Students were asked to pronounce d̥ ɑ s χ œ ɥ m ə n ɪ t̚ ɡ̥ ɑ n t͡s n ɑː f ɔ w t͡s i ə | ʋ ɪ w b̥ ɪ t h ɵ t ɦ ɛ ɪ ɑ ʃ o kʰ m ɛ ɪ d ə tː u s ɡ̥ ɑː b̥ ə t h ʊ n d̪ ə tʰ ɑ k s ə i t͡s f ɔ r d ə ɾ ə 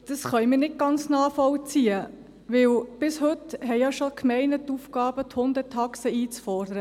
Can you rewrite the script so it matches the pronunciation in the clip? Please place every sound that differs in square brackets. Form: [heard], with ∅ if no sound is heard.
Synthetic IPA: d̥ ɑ s χ œ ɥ m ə n ɪ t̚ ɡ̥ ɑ n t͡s n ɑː f ɔ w t͡s i ə | ʋ ɪ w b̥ ɪ [s] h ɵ t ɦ ɛ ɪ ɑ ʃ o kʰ m ɛ ɪ [n] ə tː u [f] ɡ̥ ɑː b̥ ə t h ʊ n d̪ ə tʰ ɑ k s ə [iː] t͡s f ɔ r d ə ɾ ə